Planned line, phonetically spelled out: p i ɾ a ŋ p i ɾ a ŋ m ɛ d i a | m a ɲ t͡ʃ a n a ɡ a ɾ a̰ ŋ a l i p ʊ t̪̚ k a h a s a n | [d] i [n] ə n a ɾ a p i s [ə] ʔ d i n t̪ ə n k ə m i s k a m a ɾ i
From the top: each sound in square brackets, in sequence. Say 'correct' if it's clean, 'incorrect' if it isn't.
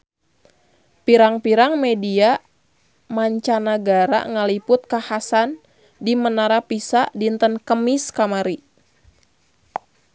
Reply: correct, incorrect: m, incorrect: a

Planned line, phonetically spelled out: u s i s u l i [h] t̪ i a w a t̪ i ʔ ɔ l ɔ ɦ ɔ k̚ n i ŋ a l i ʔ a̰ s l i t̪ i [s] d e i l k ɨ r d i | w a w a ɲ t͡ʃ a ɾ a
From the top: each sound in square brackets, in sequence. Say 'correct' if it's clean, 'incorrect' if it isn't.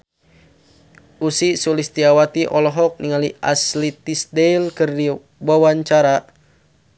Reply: incorrect: s, correct

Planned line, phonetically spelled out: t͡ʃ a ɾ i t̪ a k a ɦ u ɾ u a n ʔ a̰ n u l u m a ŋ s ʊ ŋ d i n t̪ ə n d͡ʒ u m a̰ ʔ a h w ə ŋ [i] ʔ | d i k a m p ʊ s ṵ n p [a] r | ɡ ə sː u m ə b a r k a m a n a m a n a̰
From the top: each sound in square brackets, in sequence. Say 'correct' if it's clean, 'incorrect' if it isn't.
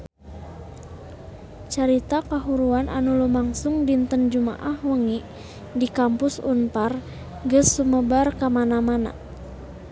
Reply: correct, correct

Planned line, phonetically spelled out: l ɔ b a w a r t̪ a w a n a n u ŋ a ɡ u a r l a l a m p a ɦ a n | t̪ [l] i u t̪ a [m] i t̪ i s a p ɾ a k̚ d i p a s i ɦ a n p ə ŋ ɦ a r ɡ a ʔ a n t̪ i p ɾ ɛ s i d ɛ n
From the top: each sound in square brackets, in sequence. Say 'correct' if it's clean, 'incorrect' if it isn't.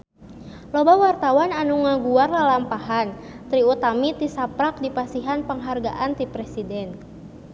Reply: incorrect: ɾ, correct

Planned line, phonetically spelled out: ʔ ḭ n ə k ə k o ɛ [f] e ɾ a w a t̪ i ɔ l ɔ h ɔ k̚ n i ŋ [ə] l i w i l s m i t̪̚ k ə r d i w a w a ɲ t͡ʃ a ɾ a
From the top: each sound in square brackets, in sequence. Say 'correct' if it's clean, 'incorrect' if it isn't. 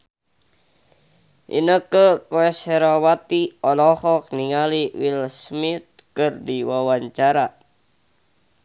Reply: incorrect: s, incorrect: a

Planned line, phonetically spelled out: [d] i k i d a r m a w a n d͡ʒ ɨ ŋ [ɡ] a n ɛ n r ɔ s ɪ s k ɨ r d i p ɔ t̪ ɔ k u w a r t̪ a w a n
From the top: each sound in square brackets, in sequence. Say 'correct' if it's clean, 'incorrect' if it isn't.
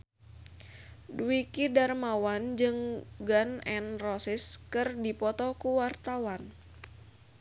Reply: correct, correct

